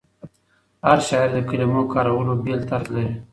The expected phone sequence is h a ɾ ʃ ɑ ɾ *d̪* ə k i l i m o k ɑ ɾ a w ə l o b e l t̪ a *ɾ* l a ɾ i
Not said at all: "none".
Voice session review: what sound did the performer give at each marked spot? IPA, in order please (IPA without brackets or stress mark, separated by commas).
d̪, ɾ